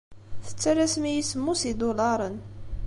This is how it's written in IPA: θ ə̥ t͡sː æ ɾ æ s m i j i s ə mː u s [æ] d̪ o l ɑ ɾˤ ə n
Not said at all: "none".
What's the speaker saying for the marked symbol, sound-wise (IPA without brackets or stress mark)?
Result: i